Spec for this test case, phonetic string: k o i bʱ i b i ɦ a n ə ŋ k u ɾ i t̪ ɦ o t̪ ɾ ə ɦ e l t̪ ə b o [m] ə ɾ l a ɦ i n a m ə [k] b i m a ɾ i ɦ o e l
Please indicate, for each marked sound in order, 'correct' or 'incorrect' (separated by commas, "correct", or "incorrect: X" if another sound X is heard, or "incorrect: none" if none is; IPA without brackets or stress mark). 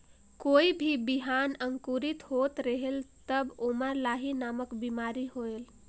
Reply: correct, correct